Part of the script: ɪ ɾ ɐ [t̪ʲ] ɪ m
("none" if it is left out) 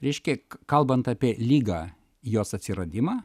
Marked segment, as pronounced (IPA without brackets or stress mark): d̪ʲ